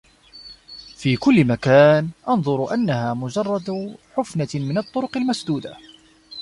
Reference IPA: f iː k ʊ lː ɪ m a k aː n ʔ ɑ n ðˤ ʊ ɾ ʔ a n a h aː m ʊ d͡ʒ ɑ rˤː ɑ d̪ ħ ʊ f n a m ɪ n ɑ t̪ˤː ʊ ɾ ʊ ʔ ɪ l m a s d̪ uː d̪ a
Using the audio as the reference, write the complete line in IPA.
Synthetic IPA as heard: f iː k ʊ lː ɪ m a k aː n ʔ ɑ n ðˤ ʊ ɾ ʔ a nː a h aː m ʊ d͡ʒ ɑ rˤː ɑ d̪ ħ ʊ f n a m ɪ n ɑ t̪ˤː ʊ ɾ ʊ q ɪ l m a s d̪ uː d̪ a